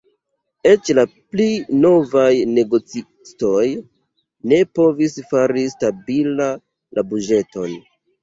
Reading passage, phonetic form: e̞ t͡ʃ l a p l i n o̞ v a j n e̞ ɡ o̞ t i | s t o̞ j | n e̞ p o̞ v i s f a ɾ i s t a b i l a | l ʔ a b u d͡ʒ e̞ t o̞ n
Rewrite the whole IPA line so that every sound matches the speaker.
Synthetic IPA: e̞ t͡ʃ l a p l i n o̞ v a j n e̞ ɡ o̞ t͡s i | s t o̞ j | n e̞ p o̞ v i s f a ɾ i s t a b i l a | l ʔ a b u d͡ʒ e̞ t o̞ n